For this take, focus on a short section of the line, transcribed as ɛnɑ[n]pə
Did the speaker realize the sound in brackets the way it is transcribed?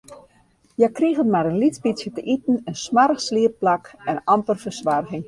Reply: no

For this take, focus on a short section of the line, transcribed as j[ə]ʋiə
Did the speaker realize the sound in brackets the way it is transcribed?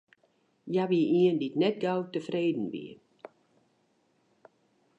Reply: no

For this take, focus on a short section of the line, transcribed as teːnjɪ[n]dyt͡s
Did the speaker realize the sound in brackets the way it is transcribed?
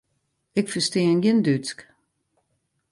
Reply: yes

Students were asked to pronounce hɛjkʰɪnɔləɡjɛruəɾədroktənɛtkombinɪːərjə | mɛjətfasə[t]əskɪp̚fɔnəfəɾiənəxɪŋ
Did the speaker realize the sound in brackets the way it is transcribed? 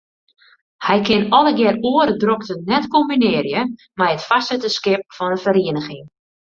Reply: yes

